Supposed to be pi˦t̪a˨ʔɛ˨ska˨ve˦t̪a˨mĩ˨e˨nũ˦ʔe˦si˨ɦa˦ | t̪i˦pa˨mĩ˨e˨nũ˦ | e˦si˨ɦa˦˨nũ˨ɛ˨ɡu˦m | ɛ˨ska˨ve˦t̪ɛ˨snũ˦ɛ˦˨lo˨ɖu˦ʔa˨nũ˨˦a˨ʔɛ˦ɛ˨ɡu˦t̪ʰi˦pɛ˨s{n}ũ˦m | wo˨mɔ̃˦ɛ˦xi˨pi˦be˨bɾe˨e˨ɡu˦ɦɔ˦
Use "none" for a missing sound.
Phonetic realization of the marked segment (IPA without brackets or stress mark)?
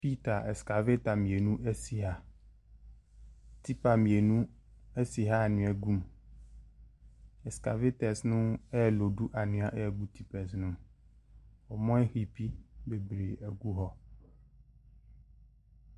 n